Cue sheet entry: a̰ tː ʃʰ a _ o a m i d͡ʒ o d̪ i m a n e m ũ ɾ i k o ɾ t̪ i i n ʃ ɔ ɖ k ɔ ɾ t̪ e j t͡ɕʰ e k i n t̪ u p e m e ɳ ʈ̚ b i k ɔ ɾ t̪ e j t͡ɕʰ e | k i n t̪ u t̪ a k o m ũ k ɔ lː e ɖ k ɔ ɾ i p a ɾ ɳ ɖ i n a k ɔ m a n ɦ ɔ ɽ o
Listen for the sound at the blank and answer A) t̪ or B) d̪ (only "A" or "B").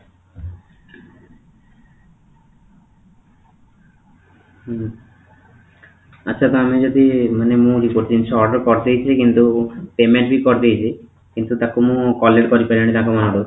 A